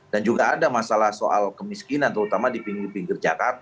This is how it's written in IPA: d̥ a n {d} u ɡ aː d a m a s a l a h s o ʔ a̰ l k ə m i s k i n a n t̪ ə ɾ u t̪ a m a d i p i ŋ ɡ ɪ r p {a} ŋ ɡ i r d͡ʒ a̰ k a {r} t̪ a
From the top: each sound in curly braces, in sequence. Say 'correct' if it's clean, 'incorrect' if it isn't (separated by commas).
incorrect, incorrect, correct